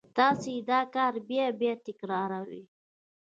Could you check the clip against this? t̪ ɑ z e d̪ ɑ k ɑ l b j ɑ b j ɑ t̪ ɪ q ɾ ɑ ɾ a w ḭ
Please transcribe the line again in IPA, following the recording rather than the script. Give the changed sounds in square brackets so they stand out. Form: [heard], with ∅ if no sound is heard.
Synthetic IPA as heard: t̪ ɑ [s] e d̪ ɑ k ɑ [ɾ] b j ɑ b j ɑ t̪ ɪ [k] ɾ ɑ ɾ a w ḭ